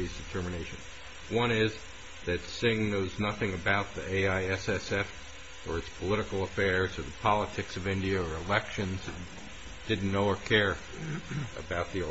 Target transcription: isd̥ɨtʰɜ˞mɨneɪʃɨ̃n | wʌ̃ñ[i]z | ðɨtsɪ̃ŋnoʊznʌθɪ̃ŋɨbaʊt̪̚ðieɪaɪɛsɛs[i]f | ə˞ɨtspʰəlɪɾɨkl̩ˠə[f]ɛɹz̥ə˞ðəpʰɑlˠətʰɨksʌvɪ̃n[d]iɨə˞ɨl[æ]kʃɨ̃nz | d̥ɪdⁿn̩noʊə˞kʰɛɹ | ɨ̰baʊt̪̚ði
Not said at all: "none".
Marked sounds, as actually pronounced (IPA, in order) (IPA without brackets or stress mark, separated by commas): ɪ, ɛ, f, d, ɛ